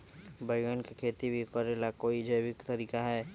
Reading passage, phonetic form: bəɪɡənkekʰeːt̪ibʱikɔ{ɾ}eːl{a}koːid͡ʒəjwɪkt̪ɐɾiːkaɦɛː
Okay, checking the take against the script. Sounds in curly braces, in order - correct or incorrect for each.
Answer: correct, correct

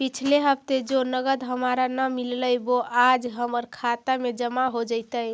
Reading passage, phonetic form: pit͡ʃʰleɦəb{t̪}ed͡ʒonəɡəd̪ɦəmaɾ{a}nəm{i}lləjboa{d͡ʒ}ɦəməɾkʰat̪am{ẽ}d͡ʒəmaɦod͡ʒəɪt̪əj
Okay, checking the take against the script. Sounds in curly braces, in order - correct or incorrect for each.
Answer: correct, correct, correct, correct, incorrect: e

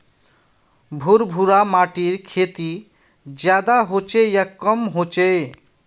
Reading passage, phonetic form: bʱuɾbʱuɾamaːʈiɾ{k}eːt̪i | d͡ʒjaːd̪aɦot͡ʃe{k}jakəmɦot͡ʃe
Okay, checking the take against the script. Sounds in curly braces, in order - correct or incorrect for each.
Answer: incorrect: kʰ, incorrect: none

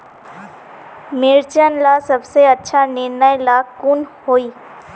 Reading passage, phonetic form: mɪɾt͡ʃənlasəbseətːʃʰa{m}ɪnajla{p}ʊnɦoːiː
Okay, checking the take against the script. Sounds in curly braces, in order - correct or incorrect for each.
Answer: incorrect: n, incorrect: k

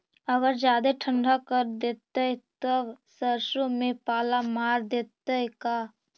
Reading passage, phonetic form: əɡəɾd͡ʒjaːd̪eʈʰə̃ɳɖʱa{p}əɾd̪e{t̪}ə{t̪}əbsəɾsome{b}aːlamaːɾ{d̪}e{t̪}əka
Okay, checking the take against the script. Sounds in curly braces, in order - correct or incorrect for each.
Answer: incorrect: k, correct, correct, incorrect: p, correct, correct

